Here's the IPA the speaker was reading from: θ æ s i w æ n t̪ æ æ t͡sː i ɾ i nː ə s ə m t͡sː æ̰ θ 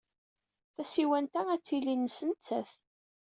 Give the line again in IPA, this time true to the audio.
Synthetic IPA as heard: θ æ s i w æ n t̪ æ æ t͡sː i l i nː ə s ə n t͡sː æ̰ θ